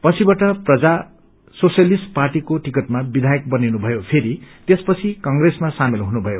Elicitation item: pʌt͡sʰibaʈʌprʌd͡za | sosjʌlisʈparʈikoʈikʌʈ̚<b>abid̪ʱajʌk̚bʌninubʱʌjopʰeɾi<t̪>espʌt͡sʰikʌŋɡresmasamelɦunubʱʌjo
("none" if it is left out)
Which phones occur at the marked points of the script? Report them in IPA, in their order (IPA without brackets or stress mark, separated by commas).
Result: m, t̪